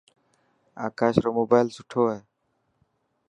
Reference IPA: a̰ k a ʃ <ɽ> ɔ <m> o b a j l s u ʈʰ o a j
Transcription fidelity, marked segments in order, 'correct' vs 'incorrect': incorrect: ɾ, correct

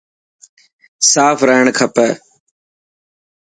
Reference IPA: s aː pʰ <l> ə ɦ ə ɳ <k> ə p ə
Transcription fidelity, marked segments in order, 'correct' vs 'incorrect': incorrect: ɾ, incorrect: kʰ

